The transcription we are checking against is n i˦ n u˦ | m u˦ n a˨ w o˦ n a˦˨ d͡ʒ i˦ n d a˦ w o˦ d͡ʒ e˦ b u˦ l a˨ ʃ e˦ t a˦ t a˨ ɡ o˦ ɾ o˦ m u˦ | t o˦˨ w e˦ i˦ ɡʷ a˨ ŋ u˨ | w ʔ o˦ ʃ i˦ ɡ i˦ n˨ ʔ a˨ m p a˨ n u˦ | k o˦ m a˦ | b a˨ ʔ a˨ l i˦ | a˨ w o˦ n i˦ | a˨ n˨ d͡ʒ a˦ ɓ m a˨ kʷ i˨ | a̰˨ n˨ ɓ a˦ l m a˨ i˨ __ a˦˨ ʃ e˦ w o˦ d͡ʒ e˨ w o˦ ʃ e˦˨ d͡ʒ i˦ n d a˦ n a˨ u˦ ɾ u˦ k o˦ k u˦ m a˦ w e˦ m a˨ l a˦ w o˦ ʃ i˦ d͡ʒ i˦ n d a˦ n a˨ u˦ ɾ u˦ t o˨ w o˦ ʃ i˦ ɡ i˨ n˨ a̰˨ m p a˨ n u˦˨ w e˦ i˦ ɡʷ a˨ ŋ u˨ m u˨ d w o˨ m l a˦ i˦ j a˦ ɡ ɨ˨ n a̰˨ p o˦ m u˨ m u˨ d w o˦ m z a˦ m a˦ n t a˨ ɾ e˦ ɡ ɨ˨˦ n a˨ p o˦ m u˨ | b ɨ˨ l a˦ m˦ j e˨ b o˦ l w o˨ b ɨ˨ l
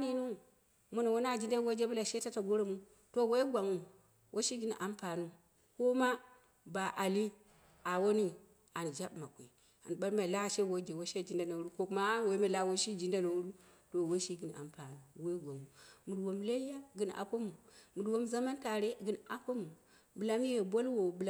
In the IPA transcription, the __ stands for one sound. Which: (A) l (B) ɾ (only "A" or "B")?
A